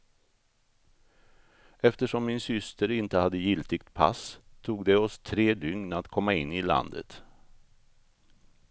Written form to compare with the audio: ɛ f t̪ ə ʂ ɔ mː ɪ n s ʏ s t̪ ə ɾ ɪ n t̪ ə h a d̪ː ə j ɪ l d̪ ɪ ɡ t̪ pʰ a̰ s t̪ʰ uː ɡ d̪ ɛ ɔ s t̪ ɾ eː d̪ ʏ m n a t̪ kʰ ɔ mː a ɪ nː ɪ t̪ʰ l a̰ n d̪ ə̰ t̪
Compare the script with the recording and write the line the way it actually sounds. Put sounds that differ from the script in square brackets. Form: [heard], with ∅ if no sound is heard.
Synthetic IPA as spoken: ɛ f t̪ ə ʂ ɔ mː ɪ n s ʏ s t̪ ə ɾ ɪ n t̪ ə h a d̪ː ə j ɪ l [t̪] ɪ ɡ t̪ pʰ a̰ s t̪ʰ uː ɡ d̪ ɛ ɔ s [t̪ʰ] ɾ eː d̪ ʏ [ŋ] n a t̪ kʰ ɔ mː a ɪ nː ɪ [∅] l a̰ n d̪ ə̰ t̪